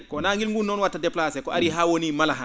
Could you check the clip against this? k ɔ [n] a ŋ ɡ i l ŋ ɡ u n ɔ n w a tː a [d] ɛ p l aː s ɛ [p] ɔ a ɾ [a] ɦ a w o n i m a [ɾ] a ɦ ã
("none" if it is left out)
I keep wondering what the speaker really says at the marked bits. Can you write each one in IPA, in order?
n, d, k, i, l

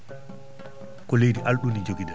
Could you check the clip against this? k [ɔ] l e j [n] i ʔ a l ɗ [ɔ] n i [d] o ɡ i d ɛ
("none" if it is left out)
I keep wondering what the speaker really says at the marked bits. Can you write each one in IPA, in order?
ɔ, d, u, d͡ʒ

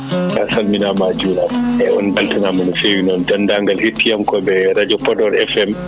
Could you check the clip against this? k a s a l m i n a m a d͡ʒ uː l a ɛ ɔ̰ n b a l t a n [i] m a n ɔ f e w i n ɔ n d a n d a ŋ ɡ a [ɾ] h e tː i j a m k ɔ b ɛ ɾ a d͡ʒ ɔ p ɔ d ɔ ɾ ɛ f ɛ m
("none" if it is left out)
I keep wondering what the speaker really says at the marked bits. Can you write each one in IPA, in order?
a, l

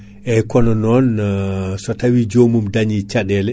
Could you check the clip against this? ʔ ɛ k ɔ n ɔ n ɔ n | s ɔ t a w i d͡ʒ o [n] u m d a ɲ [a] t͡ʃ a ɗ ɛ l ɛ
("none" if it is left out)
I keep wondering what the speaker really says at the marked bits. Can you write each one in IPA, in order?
m, i

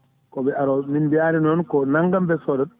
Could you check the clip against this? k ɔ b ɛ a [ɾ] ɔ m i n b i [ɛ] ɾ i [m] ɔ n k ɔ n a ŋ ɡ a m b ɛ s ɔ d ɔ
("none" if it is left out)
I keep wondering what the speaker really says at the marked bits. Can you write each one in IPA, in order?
ɾ, a, n

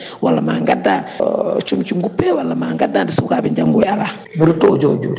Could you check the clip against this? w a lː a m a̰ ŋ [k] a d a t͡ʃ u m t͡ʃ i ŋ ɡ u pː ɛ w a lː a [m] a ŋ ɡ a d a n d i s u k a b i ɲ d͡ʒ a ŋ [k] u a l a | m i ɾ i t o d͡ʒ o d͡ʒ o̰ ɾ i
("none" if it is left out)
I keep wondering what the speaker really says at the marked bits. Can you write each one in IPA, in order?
ɡ, m, ɡ

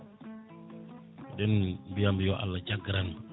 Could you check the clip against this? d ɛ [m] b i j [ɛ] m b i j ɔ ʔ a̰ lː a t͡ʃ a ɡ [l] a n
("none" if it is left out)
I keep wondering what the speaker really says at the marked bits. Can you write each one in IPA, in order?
n, a, ɾ

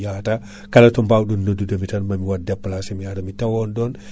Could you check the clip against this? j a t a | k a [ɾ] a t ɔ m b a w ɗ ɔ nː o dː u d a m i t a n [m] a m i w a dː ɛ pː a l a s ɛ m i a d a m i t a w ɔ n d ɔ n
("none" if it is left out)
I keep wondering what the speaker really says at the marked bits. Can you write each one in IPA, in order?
l, m

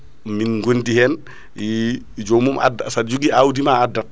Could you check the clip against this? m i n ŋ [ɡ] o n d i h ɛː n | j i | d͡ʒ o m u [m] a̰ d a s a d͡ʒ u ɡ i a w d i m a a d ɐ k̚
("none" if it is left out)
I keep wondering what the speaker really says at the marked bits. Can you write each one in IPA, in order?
ɡ, m

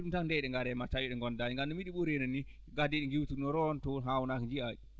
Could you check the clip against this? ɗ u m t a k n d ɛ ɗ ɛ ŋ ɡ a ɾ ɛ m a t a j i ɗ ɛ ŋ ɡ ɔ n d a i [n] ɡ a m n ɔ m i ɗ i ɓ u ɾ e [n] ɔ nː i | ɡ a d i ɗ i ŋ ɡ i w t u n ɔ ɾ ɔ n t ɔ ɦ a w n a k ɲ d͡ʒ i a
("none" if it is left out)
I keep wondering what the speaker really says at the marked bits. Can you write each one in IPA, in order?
ŋ, n

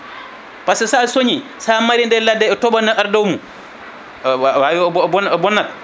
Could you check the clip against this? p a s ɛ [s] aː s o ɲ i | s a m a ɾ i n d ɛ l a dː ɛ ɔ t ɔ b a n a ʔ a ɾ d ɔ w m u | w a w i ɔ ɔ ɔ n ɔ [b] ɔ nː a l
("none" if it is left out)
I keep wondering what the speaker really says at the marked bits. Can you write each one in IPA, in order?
s, b

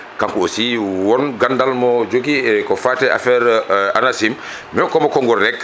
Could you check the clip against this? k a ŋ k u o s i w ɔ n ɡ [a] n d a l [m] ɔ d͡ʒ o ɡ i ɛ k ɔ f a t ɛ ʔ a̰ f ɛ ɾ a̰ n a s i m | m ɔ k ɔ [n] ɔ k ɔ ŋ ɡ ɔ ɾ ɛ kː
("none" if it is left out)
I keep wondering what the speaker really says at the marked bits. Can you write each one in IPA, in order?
a, m, m

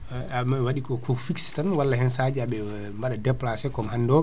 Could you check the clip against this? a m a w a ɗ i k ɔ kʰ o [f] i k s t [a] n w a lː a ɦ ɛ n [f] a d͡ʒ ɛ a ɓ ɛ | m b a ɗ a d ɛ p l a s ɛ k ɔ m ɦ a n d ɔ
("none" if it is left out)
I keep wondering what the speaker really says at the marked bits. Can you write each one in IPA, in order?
f, a, s

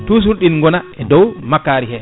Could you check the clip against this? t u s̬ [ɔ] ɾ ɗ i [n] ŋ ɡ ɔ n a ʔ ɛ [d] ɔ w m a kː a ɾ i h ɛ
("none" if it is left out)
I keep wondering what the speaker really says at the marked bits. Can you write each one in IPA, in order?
u, n, d

